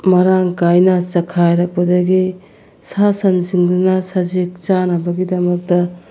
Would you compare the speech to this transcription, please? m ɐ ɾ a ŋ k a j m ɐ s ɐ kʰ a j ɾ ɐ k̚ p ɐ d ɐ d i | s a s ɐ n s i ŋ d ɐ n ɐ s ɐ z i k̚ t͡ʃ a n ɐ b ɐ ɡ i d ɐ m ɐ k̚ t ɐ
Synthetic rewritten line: m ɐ ɾ a ŋ k a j n ɐ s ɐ kʰ a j ɾ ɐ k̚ p ɐ d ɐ ɡ i | s a s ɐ n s i ŋ d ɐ n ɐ s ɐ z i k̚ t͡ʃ a n ɐ b ɐ ɡ i d ɐ m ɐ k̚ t ɐ